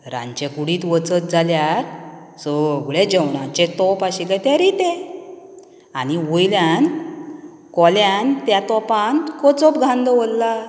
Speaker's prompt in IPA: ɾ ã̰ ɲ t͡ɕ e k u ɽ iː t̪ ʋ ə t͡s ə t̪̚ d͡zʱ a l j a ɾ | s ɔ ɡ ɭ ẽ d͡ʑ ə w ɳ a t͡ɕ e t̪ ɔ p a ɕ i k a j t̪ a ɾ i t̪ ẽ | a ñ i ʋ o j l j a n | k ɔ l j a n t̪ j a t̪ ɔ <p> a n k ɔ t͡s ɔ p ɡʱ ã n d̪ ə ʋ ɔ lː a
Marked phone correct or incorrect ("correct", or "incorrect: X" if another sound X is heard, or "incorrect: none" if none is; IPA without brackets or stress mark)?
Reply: correct